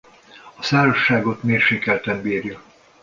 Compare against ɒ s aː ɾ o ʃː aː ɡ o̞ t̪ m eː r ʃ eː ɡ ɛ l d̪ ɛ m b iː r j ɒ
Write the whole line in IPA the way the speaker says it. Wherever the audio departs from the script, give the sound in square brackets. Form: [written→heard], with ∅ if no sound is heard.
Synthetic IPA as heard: ɒ s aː ɾ o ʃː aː ɡ o̞ t̪ m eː r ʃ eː [ɡ→k] ɛ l [d̪→t̪] ɛ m b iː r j ɒ